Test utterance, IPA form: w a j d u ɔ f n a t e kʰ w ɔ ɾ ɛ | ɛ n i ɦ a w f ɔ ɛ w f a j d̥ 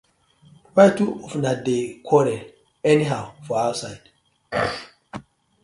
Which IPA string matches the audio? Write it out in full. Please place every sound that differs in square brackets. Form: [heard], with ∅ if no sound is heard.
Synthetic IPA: w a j [t] u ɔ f n a [d] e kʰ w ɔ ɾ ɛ | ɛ n i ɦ a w f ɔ [a] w [s] a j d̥